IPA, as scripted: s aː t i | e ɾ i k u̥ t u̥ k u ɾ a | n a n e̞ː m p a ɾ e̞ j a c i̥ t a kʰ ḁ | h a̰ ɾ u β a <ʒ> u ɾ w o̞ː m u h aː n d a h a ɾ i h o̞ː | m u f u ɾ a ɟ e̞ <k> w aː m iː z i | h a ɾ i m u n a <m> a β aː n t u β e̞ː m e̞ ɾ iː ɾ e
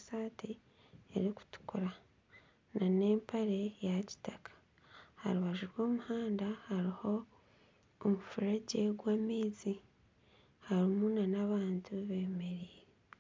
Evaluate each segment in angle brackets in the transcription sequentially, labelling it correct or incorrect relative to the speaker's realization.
correct, incorrect: ɡ, incorrect: n

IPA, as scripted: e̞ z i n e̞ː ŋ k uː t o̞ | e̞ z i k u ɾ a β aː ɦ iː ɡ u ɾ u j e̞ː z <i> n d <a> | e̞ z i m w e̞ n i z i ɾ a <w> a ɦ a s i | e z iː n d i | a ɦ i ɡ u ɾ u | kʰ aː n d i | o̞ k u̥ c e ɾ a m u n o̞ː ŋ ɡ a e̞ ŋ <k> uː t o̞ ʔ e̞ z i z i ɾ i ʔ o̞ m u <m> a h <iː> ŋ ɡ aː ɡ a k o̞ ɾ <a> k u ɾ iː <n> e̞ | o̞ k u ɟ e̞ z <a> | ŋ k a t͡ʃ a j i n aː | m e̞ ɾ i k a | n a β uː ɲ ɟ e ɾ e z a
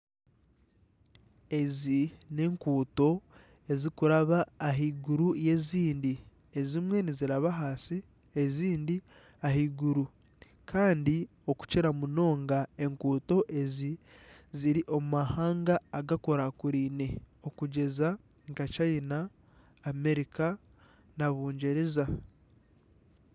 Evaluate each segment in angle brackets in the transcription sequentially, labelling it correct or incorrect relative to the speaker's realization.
incorrect: iː, incorrect: i, incorrect: β, correct, correct, incorrect: aː, correct, correct, correct

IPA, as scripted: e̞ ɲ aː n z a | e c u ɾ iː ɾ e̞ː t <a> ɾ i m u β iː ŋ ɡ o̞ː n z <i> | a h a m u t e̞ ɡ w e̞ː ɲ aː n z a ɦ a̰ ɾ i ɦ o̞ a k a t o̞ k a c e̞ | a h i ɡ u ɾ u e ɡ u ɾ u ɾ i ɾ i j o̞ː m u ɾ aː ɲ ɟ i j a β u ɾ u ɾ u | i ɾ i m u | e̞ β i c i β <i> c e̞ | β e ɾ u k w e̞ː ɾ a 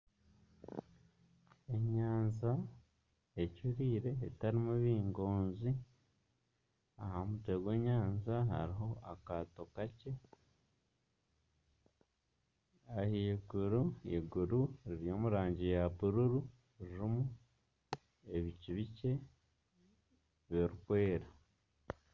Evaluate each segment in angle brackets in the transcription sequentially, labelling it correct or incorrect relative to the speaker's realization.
correct, correct, correct

